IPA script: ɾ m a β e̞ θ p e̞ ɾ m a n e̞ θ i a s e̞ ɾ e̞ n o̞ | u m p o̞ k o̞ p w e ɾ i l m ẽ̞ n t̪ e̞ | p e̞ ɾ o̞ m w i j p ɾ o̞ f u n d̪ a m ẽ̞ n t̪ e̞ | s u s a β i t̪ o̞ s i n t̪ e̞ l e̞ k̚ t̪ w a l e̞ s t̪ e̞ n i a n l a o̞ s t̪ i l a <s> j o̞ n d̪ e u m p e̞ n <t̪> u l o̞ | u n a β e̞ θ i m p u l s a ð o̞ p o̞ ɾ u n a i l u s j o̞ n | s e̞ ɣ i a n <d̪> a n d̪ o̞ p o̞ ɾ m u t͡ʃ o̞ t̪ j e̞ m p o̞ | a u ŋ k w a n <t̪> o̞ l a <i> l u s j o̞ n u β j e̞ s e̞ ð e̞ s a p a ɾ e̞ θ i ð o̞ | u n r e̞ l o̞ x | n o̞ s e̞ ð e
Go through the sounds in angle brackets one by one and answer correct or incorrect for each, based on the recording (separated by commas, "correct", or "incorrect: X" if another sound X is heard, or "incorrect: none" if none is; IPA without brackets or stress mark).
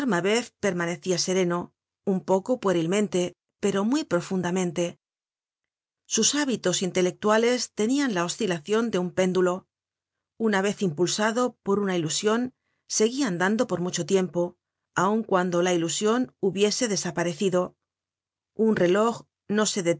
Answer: incorrect: θ, incorrect: d̪, correct, incorrect: d̪, correct